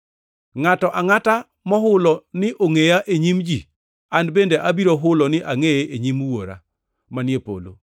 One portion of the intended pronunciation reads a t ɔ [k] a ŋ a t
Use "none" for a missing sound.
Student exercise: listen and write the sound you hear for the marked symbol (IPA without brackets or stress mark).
ʔ